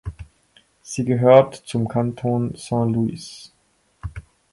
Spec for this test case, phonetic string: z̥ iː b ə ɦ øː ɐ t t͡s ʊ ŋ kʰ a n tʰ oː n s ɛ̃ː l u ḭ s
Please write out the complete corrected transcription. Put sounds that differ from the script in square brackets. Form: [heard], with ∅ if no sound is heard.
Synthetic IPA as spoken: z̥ iː [ɡ] ə ɦ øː ɐ t t͡s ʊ [m] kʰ a n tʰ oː n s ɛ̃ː l u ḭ s